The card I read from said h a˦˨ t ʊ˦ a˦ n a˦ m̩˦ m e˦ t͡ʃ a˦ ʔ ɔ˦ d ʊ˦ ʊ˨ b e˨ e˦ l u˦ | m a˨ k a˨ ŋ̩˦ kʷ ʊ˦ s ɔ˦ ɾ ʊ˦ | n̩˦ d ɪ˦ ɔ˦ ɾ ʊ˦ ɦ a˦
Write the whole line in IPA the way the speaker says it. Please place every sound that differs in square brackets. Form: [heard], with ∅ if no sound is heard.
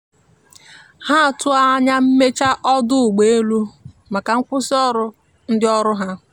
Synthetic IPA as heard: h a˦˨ t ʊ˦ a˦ [ɲ] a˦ m̩˦ m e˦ t͡ʃ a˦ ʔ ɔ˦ d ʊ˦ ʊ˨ [ɡ͡b] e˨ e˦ l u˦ | m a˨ k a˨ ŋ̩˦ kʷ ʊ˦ s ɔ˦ ɾ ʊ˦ | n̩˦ d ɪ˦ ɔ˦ ɾ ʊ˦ ɦ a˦